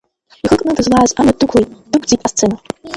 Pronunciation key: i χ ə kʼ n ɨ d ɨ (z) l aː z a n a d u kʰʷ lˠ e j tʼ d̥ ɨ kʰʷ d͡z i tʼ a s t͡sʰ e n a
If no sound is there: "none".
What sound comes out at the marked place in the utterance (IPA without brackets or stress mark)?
z